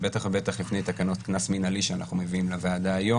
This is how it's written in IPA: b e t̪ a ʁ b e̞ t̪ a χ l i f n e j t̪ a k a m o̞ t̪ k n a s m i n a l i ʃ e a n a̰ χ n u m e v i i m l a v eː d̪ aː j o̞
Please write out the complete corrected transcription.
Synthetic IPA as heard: b e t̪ a χ b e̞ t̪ a χ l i f n e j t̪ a k a n o̞ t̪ k n a s m i n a l i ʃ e a n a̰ χ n u m e v i i m l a v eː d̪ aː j o̞